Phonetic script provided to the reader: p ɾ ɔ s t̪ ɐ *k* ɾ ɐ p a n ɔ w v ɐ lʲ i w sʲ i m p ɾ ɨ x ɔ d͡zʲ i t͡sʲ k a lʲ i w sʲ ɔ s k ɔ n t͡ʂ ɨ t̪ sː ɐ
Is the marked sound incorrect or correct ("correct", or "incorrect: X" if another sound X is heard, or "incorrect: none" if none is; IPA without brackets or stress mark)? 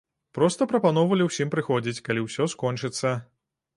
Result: incorrect: p